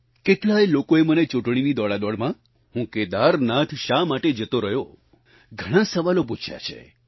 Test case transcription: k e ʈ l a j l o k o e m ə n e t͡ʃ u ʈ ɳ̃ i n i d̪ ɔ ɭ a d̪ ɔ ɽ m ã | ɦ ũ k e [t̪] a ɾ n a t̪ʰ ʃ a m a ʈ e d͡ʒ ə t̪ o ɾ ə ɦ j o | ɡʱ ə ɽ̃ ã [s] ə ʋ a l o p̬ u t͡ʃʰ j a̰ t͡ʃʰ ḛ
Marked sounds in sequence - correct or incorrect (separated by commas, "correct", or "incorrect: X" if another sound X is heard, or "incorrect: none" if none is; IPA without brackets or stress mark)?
incorrect: d̪, correct